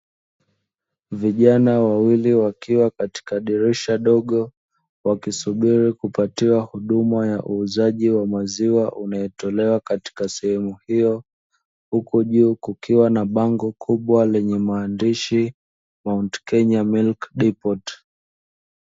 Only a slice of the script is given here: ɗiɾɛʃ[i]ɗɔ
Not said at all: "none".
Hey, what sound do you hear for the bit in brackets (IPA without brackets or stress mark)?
a